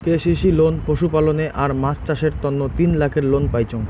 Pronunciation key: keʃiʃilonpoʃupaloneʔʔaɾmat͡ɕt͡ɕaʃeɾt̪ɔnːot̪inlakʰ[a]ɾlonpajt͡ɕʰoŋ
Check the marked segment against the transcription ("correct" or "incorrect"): incorrect